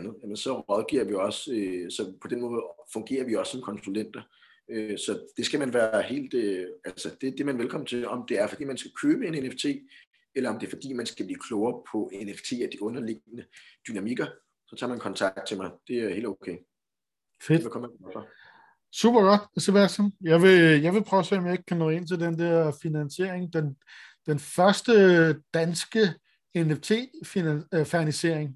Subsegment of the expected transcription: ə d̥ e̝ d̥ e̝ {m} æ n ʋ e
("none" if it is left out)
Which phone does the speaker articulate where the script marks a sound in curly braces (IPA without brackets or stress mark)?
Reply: m